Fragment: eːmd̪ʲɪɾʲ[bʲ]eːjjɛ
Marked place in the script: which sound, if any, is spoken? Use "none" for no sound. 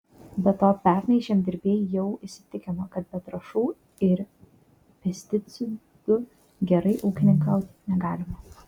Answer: bʲ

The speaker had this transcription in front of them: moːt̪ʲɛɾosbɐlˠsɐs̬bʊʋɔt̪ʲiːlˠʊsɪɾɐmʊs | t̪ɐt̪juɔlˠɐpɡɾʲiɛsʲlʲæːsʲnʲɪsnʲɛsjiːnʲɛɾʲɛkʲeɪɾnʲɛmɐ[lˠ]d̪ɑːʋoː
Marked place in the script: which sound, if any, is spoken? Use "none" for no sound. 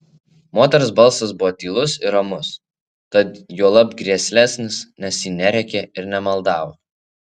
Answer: lˠ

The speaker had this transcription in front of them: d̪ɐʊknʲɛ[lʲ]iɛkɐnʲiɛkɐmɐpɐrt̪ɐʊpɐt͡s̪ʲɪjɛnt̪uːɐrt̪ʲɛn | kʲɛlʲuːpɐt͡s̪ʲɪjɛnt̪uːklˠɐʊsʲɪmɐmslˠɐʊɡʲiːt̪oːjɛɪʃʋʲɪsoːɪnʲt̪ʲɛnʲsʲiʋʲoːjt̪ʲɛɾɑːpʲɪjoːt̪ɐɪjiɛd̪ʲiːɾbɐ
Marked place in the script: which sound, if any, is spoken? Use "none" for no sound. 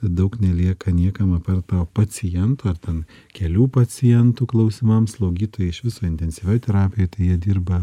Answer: lʲ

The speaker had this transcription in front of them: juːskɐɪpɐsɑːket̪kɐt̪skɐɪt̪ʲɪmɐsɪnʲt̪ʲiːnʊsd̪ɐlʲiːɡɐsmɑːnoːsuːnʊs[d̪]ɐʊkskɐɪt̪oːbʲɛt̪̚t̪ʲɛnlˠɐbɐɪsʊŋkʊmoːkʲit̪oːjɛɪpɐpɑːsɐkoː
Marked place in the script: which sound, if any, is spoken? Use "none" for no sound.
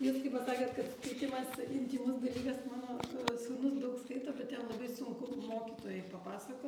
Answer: d̪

